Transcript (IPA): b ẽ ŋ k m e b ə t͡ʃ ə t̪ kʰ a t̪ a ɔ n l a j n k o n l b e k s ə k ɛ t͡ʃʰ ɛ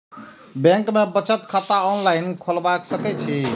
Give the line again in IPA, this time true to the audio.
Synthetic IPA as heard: b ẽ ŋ k m e b ə t͡ʃ ə t̪ kʰ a t̪ a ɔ n l a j n kʰ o l b a k s ə k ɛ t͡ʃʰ i